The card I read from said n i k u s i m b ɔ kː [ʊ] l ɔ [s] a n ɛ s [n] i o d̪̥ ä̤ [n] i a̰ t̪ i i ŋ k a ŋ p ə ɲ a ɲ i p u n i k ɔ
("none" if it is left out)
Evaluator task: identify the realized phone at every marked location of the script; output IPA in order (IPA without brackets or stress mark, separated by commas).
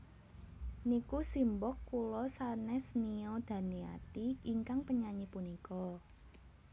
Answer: u, s, n, n